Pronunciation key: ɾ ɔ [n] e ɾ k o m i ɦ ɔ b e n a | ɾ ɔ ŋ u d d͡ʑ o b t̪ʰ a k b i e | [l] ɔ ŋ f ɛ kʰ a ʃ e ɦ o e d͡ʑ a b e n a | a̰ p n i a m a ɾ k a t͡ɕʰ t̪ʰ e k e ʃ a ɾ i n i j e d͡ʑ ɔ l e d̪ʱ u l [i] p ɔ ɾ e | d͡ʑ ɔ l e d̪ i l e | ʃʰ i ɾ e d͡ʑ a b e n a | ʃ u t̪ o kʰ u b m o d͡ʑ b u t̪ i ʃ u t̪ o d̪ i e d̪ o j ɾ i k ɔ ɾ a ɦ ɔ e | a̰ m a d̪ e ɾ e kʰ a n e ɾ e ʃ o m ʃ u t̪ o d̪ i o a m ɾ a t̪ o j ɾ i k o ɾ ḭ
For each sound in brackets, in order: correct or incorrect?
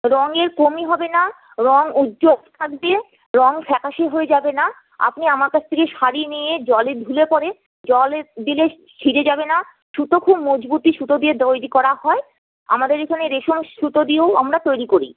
incorrect, incorrect, incorrect

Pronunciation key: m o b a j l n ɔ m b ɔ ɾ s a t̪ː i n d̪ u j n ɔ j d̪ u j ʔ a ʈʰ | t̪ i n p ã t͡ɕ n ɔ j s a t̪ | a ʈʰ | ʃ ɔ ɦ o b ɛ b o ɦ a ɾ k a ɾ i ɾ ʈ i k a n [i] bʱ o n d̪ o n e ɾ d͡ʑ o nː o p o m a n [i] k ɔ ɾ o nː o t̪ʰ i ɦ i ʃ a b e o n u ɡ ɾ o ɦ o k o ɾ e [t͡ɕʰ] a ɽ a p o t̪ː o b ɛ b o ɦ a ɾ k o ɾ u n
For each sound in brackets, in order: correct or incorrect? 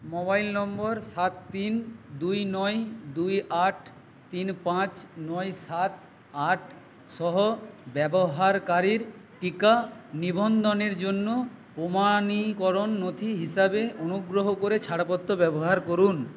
correct, correct, correct

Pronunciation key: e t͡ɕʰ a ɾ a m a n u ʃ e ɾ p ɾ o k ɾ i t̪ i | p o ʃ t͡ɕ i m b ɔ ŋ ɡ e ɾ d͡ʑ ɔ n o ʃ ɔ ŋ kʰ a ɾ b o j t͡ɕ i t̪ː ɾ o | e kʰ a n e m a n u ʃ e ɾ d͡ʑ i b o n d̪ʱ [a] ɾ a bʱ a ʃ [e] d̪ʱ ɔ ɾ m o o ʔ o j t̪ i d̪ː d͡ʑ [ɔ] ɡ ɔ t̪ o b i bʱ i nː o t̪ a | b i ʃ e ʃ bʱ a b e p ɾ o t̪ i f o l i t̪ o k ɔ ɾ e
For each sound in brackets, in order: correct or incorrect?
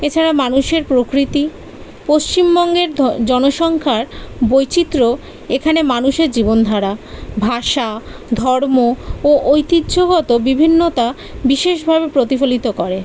correct, incorrect, incorrect

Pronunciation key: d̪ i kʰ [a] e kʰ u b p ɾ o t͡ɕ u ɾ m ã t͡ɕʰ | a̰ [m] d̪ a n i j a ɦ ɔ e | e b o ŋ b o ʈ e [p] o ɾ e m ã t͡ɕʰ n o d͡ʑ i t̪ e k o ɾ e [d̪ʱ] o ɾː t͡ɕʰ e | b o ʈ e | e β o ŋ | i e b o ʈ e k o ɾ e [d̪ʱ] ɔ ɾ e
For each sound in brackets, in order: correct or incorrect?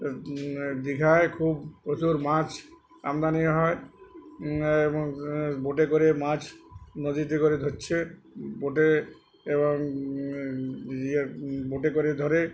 correct, correct, incorrect, correct, correct

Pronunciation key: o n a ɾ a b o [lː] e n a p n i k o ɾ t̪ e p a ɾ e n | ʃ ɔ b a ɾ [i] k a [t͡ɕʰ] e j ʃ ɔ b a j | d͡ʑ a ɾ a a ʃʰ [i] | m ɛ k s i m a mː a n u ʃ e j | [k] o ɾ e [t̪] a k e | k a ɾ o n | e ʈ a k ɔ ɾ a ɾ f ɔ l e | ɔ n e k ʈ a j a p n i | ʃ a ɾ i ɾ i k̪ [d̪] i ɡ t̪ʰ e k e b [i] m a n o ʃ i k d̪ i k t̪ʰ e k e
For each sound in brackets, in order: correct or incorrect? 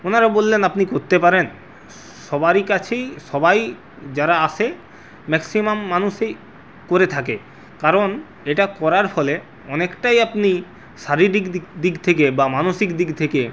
correct, correct, correct, incorrect, correct, incorrect, correct, incorrect

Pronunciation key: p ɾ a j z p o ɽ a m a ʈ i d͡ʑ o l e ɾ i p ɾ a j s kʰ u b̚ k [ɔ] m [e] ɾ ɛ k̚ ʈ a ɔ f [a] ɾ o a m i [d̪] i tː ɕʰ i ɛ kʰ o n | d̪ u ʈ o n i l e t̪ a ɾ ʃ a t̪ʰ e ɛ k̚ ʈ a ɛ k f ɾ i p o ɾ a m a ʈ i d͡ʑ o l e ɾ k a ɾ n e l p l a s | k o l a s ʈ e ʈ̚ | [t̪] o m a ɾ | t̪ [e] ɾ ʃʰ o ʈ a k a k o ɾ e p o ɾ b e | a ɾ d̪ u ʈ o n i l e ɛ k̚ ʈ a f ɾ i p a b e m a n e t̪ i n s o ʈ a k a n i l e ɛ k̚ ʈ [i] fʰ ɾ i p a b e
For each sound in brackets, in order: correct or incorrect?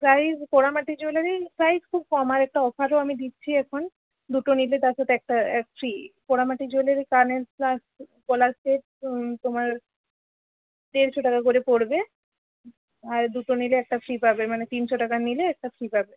correct, incorrect, correct, correct, correct, correct, incorrect

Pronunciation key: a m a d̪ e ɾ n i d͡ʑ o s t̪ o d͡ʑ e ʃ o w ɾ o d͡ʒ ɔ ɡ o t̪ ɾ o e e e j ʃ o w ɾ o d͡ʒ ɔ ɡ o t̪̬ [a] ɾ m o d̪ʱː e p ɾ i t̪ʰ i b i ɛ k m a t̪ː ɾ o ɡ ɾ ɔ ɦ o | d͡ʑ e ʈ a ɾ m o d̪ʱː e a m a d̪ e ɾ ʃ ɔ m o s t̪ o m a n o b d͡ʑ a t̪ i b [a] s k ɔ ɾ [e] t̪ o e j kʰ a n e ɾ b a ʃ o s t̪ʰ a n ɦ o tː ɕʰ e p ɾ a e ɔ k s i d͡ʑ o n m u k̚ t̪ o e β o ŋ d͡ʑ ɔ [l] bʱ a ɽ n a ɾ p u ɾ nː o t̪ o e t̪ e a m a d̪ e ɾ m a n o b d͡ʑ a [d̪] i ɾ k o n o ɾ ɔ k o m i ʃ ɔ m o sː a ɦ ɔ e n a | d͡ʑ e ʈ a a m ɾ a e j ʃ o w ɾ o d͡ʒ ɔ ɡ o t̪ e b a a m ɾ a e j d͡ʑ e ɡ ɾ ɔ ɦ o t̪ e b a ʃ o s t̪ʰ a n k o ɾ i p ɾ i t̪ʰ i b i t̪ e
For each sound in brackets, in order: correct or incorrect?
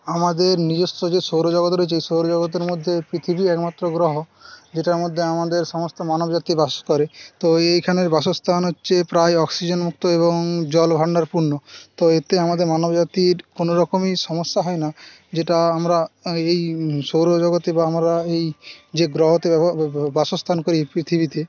incorrect, correct, correct, correct, incorrect

